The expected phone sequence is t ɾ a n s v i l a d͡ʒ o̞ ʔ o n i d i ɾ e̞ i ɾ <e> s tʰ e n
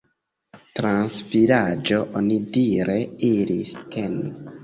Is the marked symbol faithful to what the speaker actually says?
no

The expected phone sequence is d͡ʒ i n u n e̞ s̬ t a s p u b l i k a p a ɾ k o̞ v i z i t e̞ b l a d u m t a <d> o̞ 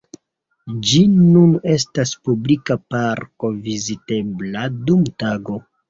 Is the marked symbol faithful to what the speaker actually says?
no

